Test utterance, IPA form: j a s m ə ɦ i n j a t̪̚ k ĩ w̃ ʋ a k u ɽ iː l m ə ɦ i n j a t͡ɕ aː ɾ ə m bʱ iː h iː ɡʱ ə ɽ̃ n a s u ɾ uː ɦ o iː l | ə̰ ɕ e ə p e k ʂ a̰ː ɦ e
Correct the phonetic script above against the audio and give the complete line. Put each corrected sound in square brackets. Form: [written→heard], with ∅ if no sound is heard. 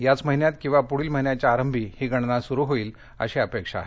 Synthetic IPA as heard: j a [s→t͡s] m ə ɦ i n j a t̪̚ k ĩ w̃ ʋ a [k→p] u ɽ iː l m ə ɦ i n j a t͡ɕ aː ɾ ə m bʱ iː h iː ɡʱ ə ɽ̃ n a s u ɾ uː ɦ o iː l | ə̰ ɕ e ə p e k ʂ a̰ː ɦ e